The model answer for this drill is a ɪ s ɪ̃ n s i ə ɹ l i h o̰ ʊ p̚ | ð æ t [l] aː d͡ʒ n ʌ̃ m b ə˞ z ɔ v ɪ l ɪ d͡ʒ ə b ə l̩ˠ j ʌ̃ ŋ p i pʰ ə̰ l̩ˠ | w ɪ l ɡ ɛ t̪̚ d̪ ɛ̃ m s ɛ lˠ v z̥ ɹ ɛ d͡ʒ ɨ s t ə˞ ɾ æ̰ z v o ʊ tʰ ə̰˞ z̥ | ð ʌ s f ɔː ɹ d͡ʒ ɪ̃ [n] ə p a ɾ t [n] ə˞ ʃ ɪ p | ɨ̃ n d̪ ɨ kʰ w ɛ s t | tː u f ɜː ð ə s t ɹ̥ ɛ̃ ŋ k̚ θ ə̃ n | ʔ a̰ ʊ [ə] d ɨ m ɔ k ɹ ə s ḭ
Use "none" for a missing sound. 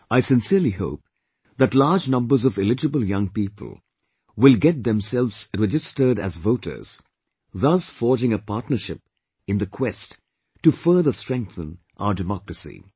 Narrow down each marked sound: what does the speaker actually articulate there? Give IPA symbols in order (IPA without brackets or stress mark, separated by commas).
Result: l, ŋ, n, ə